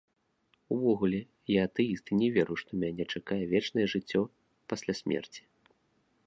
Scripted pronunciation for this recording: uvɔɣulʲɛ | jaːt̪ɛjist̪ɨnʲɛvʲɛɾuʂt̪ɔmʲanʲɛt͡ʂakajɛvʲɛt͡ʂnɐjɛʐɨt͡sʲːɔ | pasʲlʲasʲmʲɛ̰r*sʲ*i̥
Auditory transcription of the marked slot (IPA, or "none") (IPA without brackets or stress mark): t͡sʲ